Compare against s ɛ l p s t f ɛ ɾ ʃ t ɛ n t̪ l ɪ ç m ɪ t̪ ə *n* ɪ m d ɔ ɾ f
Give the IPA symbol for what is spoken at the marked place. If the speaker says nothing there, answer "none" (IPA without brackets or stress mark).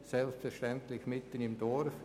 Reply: n